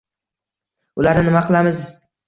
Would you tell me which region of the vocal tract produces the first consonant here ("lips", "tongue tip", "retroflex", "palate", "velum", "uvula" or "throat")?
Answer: tongue tip